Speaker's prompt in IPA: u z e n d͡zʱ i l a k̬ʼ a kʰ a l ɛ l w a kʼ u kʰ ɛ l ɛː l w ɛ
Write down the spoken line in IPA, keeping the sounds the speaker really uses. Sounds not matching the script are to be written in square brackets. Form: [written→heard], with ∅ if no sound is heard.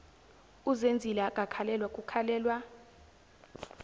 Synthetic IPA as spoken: u z e n d͡zʱ i l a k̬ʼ a kʰ a l ɛ l w a kʼ u kʰ [ɛ→a] l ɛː l w [ɛ→a]